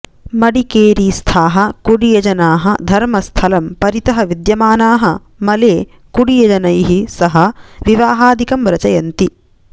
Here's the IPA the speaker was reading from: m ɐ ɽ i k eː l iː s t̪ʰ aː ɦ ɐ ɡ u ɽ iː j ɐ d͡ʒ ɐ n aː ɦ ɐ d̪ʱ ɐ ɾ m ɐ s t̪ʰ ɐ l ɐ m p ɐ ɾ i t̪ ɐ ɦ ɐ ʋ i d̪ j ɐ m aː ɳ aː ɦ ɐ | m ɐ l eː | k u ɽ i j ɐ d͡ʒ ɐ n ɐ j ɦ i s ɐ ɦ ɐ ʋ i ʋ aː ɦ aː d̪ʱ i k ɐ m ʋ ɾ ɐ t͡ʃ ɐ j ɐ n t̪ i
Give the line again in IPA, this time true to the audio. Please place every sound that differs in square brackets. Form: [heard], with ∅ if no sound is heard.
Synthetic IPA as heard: m ɐ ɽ i k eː [ɾ] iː s t̪ʰ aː ɦ ɐ [k] u ɽ [i] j ɐ d͡ʒ ɐ n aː ɦ ɐ d̪ʱ ɐ ɾ m ɐ s t̪ʰ ɐ l ɐ m p ɐ ɾ i t̪ ɐ ɦ ɐ ʋ i d̪ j ɐ m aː [n] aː ɦ ɐ | m ɐ l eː | k u ɽ i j ɐ d͡ʒ ɐ n ɐ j ɦ i s ɐ ɦ ɐ ʋ i ʋ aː ɦ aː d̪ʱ i k ɐ m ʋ ɾ ɐ t͡ʃ ɐ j ɐ n t̪ i

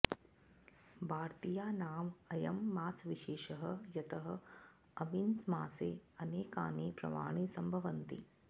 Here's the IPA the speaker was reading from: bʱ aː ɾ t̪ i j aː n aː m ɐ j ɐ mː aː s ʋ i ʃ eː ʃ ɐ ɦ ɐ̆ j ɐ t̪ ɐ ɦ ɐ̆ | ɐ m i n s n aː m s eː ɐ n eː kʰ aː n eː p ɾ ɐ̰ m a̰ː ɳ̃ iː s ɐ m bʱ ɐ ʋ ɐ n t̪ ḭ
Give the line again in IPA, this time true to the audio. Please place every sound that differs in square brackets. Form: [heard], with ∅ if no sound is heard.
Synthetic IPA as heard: bʱ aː ɾ t̪ i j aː n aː m ɐ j ɐ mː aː s ʋ i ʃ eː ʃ ɐ ɦ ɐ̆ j ɐ t̪ ɐ ɦ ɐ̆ | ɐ m i n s [m] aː [∅] s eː ɐ n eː [k] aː n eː p ɾ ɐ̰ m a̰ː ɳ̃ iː s ɐ m bʱ ɐ ʋ ɐ n t̪ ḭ

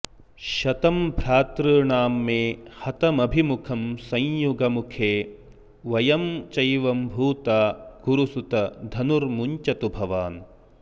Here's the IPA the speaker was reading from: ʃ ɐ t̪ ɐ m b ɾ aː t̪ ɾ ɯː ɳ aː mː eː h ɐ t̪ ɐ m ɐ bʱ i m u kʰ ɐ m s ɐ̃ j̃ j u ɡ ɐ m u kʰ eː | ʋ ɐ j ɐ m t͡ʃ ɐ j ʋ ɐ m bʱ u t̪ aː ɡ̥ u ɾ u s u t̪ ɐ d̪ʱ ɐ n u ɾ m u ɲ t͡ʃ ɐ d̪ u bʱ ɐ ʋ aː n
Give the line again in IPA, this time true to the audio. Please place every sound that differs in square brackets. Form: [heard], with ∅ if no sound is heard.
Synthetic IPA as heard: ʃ ɐ t̪ ɐ m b ɾ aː t̪ ɾ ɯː ɳ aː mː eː h ɐ t̪ ɐ m ɐ bʱ i m u kʰ ɐ m s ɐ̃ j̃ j u ɡ ɐ m u kʰ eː | ʋ ɐ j ɐ m t͡ʃ ɐ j ʋ ɐ m bʱ [uː] t̪ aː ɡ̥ u ɾ u s u t̪ ɐ d̪ʱ ɐ n u ɾ m u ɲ t͡ʃ ɐ [t̪] u bʱ ɐ ʋ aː n

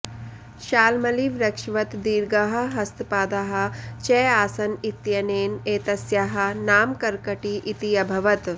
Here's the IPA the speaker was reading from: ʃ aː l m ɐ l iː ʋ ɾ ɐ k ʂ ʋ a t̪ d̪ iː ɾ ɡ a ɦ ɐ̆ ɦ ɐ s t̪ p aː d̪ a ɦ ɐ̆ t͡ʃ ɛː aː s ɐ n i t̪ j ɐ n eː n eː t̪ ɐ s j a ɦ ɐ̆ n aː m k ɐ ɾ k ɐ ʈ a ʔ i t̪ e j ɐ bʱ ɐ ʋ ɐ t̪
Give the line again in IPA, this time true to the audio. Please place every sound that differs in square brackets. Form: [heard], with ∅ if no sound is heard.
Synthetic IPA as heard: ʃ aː l m ɐ l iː ʋ ɾ ɐ k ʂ ʋ [ɐ] t̪ d̪ iː ɾ ɡ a ɦ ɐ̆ ɦ ɐ s t̪ p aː d̪ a ɦ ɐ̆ t͡ʃ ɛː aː s ɐ n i t̪ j ɐ n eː n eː t̪ ɐ s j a ɦ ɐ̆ n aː m k ɐ ɾ k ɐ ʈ [i] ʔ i t̪ [i] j ɐ bʱ ɐ ʋ ɐ t̪

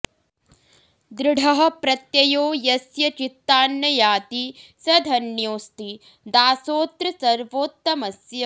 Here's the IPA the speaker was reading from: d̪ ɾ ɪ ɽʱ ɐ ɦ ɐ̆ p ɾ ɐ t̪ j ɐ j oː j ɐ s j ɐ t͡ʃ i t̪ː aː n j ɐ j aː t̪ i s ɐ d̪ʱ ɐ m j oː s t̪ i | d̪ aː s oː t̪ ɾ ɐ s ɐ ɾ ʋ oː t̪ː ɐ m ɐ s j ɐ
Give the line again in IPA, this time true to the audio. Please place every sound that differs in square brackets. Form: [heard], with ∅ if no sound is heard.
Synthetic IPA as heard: d̪ ɾ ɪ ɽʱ ɐ ɦ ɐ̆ p ɾ ɐ t̪ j ɐ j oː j ɐ s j ɐ t͡ʃ i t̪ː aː n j ɐ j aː t̪ i s ɐ d̪ʱ ɐ [n] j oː s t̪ i | d̪ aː s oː t̪ ɾ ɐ s ɐ ɾ ʋ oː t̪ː ɐ m ɐ s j ɐ

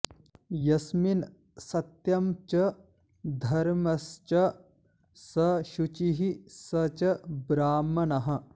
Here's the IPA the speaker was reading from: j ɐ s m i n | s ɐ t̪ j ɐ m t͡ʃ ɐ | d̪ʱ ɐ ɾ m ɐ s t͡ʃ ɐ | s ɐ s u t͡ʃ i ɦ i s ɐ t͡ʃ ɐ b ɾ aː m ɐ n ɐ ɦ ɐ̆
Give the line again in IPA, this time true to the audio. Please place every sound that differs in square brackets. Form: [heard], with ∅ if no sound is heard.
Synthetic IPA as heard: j ɐ s m i n | s ɐ t̪ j ɐ m t͡ʃ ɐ | d̪ʱ ɐ ɾ m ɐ s t͡ʃ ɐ | s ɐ [ʃ] u t͡ʃ i ɦ i s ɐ t͡ʃ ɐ b ɾ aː m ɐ n ɐ ɦ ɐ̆

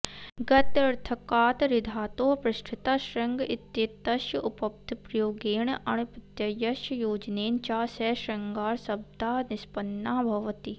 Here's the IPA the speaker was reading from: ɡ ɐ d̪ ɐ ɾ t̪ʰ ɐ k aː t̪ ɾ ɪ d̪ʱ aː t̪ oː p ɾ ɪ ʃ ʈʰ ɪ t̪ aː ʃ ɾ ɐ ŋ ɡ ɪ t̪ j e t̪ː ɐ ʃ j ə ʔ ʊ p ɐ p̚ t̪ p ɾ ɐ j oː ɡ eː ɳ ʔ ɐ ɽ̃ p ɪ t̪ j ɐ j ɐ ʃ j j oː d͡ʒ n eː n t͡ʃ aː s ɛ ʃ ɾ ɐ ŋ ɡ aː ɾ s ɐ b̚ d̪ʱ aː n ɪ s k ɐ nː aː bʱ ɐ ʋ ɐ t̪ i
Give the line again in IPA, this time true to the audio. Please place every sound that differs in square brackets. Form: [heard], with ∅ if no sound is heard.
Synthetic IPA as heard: ɡ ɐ [t̪] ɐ ɾ t̪ʰ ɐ k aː t̪ ɾ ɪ d̪ʱ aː t̪ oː p ɾ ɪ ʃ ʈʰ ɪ t̪ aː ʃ ɾ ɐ ŋ ɡ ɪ t̪ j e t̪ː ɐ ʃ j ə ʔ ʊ p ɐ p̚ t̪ p ɾ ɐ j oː ɡ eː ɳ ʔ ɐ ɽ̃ p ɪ t̪ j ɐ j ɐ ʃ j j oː d͡ʒ n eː n t͡ʃ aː s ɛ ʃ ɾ ɐ ŋ ɡ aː ɾ s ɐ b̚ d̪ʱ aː n ɪ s [p] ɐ nː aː bʱ ɐ ʋ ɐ t̪ i

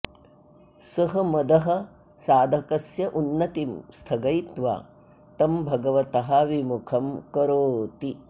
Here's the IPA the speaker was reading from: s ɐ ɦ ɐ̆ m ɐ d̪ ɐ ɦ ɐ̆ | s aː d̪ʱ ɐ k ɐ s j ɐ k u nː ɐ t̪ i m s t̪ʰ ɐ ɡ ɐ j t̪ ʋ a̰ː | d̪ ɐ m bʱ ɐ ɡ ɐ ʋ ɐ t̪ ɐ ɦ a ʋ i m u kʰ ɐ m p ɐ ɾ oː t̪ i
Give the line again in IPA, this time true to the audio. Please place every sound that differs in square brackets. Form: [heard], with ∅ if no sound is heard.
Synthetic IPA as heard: s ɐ ɦ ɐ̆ m ɐ d̪ ɐ ɦ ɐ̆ | s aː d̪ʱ ɐ k ɐ s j ɐ [ʔ] u nː ɐ t̪ i m s t̪ʰ ɐ ɡ ɐ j t̪ ʋ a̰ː | [t̪] ɐ m bʱ ɐ ɡ ɐ ʋ ɐ t̪ ɐ ɦ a ʋ i m u kʰ ɐ m [k] ɐ ɾ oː t̪ i

